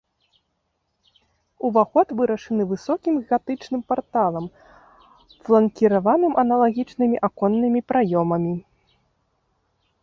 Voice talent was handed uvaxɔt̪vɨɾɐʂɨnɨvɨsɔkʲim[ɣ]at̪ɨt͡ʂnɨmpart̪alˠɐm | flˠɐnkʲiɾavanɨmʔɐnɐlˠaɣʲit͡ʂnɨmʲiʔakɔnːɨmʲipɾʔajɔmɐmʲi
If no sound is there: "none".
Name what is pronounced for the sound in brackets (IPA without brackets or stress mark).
ɣ